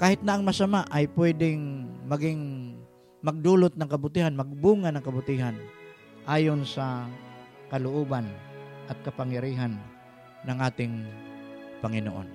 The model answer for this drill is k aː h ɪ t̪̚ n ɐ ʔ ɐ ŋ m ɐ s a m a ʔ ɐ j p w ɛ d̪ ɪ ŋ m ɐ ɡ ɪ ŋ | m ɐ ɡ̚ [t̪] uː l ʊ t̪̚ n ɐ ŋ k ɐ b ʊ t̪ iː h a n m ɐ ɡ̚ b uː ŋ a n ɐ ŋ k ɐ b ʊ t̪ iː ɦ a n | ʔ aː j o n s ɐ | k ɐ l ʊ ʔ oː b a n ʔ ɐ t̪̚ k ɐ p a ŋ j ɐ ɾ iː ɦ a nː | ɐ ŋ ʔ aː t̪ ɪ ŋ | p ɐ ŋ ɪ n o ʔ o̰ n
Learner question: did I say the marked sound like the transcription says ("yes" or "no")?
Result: no